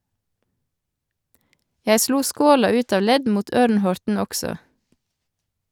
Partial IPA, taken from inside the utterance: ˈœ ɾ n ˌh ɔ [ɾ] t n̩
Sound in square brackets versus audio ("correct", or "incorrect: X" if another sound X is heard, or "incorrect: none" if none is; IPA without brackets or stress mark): correct